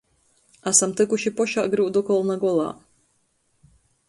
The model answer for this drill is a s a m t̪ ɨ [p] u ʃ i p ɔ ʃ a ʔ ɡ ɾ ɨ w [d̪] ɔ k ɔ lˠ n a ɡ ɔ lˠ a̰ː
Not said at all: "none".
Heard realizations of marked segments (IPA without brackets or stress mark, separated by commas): k, d̪